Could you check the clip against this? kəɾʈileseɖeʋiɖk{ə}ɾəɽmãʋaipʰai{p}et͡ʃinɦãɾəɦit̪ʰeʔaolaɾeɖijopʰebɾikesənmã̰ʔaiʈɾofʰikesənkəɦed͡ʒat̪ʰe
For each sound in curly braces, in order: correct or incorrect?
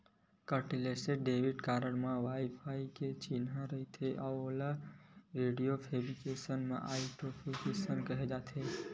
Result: incorrect: a, incorrect: k

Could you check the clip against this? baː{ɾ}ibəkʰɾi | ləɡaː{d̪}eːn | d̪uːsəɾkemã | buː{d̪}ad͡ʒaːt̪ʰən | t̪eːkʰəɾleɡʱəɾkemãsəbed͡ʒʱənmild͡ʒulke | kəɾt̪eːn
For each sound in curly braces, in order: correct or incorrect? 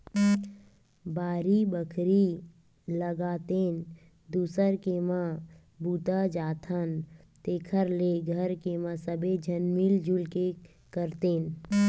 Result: correct, incorrect: t̪, incorrect: t̪

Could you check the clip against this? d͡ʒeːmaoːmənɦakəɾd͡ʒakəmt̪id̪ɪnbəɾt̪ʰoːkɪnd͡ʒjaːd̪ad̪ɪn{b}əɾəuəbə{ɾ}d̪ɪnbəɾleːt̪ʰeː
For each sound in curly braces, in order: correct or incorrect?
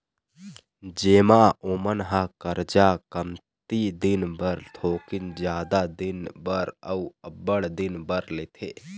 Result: correct, incorrect: ɽ

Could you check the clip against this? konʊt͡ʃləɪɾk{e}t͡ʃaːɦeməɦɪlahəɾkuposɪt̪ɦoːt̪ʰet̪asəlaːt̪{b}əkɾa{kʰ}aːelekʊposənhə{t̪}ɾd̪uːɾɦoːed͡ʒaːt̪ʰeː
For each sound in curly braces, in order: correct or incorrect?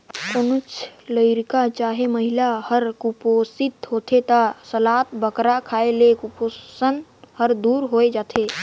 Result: incorrect: a, correct, correct, incorrect: none

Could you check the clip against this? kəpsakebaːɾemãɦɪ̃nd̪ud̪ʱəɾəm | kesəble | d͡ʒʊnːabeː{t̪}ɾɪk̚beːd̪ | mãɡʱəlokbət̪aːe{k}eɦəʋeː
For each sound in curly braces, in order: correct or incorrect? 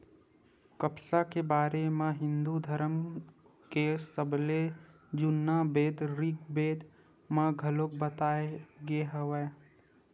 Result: incorrect: d̪, incorrect: ɡ

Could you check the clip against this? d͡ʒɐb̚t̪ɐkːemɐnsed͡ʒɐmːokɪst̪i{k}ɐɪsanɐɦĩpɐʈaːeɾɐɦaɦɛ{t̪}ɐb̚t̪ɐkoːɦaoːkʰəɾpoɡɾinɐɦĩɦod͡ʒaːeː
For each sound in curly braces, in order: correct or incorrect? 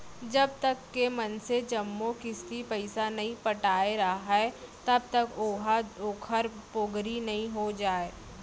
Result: incorrect: p, correct

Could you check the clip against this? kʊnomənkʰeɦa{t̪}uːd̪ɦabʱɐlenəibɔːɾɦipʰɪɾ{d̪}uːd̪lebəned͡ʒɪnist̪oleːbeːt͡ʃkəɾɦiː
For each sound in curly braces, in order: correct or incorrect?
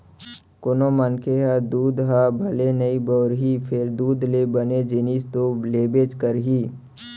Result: incorrect: d̪, correct

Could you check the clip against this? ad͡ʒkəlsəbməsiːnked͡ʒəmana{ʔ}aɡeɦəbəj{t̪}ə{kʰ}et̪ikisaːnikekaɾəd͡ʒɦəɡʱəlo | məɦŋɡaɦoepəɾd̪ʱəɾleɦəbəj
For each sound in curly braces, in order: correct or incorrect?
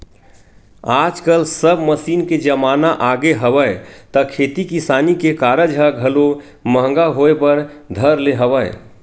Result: correct, correct, correct

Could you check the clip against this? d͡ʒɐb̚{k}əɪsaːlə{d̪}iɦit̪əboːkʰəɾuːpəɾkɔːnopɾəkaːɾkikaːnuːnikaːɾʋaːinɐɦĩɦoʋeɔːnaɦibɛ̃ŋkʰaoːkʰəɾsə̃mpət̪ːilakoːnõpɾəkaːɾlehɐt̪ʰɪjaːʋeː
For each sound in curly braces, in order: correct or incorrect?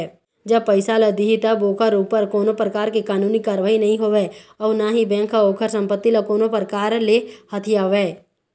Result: incorrect: p, correct

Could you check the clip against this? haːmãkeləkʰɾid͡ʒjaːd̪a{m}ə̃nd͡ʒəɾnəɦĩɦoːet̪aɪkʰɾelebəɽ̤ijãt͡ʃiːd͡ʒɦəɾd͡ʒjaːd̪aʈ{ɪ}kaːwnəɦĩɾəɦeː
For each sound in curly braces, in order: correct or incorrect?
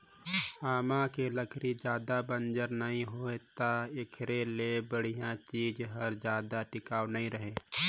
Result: incorrect: b, correct

